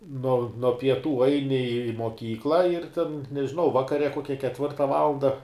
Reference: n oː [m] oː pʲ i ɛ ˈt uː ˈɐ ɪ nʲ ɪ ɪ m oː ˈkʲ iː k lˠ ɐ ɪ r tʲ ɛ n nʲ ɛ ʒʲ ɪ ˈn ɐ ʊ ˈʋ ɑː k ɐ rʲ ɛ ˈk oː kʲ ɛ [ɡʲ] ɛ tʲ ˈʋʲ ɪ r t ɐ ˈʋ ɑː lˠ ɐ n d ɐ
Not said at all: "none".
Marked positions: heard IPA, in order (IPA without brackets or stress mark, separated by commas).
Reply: n, kʲ